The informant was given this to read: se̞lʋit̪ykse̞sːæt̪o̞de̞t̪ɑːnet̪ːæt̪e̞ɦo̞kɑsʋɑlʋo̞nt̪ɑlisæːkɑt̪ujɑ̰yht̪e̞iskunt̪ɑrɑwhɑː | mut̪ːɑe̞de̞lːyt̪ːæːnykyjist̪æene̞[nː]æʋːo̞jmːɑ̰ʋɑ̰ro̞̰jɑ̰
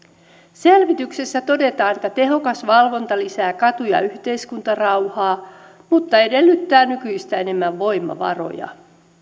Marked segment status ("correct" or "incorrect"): incorrect